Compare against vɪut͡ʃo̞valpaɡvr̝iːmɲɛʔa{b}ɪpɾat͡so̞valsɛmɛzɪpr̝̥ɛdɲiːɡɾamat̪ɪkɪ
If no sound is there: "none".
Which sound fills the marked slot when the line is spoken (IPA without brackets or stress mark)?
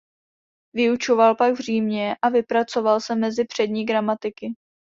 v